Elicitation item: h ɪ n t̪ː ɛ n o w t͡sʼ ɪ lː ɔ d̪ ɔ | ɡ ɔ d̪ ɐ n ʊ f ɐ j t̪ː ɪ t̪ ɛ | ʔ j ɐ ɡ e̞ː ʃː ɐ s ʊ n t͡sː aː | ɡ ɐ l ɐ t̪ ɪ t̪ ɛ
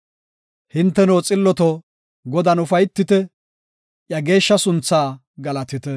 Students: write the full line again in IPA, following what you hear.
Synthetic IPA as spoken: h ɪ n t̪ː ɛ n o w t͡sʼ ɪ lː ɔ t̪ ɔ | ɡ ɔ d̪ ɐ n ʊ f ɐ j t̪ː ɪ t̪ ɛ | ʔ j ɐ ɡ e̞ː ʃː ɐ s ʊ n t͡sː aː | ɡ ɐ l ɐ t̪ ɪ t̪ ɛ